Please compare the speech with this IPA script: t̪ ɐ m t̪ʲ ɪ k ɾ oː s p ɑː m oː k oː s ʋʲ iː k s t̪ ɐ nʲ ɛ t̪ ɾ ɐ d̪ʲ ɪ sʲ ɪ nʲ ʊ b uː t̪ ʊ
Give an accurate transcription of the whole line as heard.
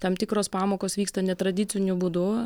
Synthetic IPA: t̪ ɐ m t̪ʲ ɪ k ɾ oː s p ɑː m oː k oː s ʋʲ iː k s t̪ ɐ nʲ ɛ t̪ ɾ ɐ d̪ʲ ɪ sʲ ɪ nʲ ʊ b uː d̪ ʊ